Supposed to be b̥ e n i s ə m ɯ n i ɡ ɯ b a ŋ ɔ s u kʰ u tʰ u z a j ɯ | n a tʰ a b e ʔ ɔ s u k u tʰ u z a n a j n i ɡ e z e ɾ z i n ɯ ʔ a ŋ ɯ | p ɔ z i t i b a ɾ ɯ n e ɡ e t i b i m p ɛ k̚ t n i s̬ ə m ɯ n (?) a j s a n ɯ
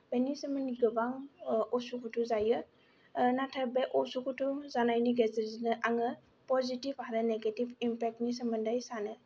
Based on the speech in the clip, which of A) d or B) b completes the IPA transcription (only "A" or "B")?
A